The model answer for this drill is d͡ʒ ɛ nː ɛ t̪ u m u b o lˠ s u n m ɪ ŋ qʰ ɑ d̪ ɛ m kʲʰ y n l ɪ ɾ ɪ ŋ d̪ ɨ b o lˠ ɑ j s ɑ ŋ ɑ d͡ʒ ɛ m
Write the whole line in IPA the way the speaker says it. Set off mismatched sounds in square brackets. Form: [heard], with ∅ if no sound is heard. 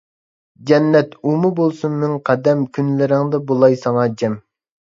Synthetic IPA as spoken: d͡ʒ ɛ nː ɛ t̪ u m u b o lˠ s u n m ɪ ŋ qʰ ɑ d̪ ɛ m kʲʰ y n l ɪ ɾ ɪ ŋ d̪ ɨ b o lˠ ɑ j s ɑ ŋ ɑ d͡ʒ ɛ m

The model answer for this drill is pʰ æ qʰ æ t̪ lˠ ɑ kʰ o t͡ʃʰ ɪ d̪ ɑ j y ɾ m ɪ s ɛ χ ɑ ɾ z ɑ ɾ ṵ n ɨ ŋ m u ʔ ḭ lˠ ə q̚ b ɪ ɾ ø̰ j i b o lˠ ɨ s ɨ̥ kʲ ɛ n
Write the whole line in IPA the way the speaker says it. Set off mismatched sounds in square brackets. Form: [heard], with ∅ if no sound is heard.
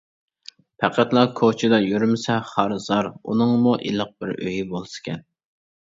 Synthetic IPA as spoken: pʰ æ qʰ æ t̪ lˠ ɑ kʰ o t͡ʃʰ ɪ d̪ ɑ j y ɾ m ɪ s ɛ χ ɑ ɾ z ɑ ɾ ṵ n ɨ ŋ m u ʔ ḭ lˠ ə q̚ b ɪ ɾ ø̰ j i b o lˠ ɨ s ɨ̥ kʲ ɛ n

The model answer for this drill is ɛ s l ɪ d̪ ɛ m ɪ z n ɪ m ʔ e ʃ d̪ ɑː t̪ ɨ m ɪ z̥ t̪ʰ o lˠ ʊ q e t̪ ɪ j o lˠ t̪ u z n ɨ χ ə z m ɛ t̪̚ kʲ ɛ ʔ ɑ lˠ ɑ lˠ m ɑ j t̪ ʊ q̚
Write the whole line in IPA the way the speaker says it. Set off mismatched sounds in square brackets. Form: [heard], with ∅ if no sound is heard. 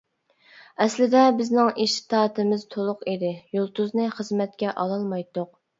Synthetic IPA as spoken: ɛ s l ɪ d̪ ɛ [b] ɪ z n ɪ [ŋ] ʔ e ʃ [t̪] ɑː t̪ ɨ m ɪ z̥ t̪ʰ o lˠ ʊ q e [d̪] ɪ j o lˠ t̪ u z n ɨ χ ə z m ɛ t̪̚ kʲ ɛ ʔ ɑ lˠ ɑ lˠ m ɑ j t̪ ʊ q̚

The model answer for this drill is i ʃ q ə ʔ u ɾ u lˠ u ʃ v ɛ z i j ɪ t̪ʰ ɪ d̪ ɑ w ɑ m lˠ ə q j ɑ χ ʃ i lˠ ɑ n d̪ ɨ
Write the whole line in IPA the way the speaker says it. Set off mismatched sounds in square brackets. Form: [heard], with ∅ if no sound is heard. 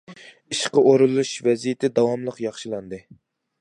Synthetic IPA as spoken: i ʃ q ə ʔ [o] ɾ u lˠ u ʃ v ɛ z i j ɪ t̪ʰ ɪ d̪ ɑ w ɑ m lˠ ə q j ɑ χ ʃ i lˠ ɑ n d̪ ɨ

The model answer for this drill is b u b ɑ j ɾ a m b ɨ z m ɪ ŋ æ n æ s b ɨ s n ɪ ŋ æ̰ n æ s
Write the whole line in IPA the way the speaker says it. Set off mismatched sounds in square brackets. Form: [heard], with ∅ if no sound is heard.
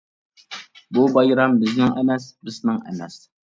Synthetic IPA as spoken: b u b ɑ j ɾ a m b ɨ z [n] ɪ ŋ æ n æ s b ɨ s n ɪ ŋ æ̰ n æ s

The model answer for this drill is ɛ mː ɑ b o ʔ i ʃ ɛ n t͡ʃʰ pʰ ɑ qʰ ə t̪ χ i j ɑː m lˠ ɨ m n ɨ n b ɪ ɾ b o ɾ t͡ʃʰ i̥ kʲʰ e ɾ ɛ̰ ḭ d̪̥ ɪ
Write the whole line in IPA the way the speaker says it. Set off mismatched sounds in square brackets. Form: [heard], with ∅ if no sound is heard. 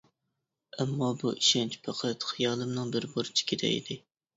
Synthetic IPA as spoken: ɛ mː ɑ b [u] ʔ i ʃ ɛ n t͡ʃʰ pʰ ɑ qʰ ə t̪ χ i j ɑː [∅] lˠ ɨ m n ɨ [ŋ] b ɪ ɾ b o ɾ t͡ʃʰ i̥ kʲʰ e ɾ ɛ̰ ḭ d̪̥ ɪ

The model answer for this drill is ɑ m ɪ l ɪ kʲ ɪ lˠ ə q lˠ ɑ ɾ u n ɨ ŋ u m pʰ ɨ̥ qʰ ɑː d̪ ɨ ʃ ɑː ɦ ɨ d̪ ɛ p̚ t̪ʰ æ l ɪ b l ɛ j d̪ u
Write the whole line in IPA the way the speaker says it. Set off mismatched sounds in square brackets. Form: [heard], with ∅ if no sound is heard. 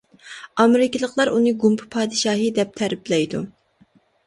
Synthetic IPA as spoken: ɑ m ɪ [ɾ] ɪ kʲ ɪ lˠ ə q lˠ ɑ ɾ u n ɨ [ɡ] u m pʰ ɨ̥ [pʰ] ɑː d̪ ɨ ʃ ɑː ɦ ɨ d̪ ɛ p̚ t̪ʰ æ [ɾ] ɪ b l ɛ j d̪ u

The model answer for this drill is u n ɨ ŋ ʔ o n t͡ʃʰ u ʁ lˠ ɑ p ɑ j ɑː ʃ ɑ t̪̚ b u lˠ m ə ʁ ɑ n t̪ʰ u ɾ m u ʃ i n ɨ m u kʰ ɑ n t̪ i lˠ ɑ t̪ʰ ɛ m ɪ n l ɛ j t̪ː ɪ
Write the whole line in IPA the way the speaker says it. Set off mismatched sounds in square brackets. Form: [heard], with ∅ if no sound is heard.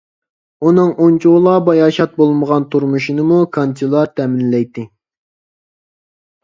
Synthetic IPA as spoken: u n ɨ ŋ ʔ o n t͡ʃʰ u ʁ lˠ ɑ [b] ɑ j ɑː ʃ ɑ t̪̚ b [o] lˠ m ə ʁ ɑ n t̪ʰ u ɾ m u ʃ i n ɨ m u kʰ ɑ n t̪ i lˠ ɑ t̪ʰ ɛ m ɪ n l ɛ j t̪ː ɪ

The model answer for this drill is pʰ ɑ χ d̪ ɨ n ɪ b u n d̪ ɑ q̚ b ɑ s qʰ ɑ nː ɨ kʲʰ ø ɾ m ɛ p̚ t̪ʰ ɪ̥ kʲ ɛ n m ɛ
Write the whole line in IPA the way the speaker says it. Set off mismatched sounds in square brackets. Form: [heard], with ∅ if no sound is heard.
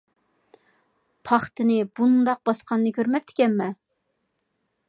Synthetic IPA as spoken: pʰ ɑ χ [t̪] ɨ n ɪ b u n d̪ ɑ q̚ b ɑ s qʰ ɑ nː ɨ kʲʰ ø ɾ m ɛ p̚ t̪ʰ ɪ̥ kʲ ɛ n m ɛ

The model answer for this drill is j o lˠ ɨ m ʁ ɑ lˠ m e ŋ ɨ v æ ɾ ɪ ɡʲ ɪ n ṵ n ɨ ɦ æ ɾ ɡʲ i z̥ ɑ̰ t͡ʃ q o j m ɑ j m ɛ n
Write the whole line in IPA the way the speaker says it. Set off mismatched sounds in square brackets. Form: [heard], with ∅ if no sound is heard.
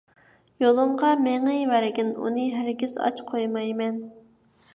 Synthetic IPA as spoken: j o lˠ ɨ m ʁ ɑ [∅] m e ŋ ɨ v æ ɾ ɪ ɡʲ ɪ n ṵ n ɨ ɦ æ ɾ ɡʲ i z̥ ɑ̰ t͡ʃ [qʰ] o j m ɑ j m ɛ n

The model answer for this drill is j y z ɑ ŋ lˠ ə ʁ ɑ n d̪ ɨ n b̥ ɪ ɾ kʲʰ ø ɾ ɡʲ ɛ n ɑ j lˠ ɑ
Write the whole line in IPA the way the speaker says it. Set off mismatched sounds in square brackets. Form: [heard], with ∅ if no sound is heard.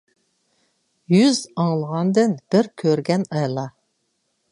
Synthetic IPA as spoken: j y z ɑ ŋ lˠ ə ʁ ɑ n d̪ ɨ n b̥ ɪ ɾ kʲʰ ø ɾ ɡʲ ɛ n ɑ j lˠ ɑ

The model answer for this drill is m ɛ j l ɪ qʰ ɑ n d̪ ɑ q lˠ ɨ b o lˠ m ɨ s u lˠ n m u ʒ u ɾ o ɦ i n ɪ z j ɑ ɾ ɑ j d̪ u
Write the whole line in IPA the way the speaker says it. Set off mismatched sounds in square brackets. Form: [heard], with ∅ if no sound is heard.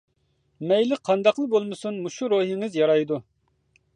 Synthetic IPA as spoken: m ɛ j l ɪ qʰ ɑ n d̪ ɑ q lˠ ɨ b o lˠ m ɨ s u [∅] n m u [ʃ] u ɾ o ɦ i [ŋ] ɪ z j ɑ ɾ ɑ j d̪ u

